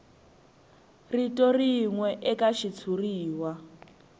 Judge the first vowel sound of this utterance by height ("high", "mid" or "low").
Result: high